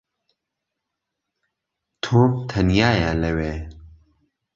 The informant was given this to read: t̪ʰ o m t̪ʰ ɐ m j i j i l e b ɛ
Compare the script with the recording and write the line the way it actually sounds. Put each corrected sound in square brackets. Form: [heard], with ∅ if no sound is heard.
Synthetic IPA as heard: t̪ʰ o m t̪ʰ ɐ [n] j [a] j [a] l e [w] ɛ